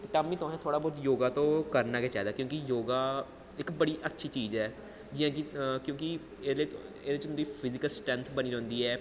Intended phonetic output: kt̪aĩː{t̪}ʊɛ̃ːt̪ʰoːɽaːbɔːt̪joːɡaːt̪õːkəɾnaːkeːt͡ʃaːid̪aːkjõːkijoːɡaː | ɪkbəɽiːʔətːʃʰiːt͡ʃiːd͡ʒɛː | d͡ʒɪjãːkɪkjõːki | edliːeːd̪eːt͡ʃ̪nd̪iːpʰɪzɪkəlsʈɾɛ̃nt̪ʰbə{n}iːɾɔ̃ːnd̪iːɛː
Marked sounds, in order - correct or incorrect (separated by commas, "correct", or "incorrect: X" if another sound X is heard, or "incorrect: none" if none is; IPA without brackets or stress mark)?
correct, correct